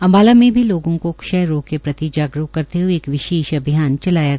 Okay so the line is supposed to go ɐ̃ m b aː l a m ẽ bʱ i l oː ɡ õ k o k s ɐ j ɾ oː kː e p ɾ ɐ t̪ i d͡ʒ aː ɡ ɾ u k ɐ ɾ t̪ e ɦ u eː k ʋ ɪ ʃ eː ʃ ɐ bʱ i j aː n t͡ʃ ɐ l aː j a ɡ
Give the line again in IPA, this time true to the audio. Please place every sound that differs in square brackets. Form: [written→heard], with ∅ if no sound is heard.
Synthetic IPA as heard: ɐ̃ m b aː l a m ẽ bʱ i l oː ɡ õ k o k [s→ʃ] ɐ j ɾ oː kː e p ɾ ɐ t̪ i d͡ʒ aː ɡ ɾ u k ɐ ɾ t̪ e ɦ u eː k ʋ ɪ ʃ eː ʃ ɐ bʱ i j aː n t͡ʃ ɐ l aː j a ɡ